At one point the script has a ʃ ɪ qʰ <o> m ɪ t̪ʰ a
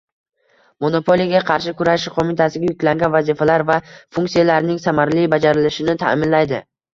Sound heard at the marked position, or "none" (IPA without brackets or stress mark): o